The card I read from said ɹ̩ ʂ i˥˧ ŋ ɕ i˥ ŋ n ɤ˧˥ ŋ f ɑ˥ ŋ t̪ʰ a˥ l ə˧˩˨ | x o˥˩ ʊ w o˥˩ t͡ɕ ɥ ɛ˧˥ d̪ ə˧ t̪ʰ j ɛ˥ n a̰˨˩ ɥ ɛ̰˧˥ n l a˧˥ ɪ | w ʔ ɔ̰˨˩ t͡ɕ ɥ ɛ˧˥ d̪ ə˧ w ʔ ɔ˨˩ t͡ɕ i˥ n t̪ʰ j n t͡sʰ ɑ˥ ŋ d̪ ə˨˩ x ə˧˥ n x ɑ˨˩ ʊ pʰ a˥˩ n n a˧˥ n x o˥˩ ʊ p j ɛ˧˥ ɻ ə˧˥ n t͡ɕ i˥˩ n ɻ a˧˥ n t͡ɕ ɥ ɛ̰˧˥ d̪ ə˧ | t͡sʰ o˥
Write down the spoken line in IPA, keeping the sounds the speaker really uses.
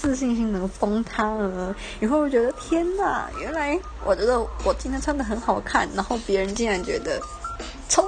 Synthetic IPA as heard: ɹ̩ ɕ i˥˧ ŋ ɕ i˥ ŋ n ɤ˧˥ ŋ f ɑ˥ ŋ t̪ʰ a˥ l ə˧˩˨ | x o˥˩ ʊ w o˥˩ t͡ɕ ɥ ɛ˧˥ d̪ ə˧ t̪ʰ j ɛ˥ n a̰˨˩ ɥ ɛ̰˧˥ n l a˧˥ ɪ | w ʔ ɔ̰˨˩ t͡ɕ ɥ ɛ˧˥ d̪ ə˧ w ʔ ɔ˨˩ t͡ɕ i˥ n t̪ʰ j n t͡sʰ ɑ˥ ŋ d̪ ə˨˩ x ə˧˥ n x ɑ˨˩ ʊ kʰ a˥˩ n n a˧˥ n x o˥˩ ʊ p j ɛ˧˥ ɻ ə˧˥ n t͡ɕ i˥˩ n ɻ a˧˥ n t͡ɕ ɥ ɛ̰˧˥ d̪ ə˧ | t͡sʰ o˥